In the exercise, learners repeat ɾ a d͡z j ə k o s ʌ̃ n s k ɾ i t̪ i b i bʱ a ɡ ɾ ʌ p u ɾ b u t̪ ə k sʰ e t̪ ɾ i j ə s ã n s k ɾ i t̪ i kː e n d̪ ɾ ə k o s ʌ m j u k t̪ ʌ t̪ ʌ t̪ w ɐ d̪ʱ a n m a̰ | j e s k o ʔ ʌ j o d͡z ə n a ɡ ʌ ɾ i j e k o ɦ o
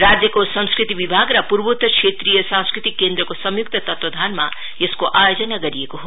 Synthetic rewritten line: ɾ a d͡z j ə k o s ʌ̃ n s k ɾ i t̪ i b i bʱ a ɡ ɾ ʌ p u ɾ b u t̪ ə k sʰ e t̪ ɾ i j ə s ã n s k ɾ i t̪ i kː e n d̪ ɾ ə k o s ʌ m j u k t̪ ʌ t̪ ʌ t̪ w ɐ d̪ʱ a n m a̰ | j e s k o ʔ a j o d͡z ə n a ɡ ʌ ɾ i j e k o ɦ o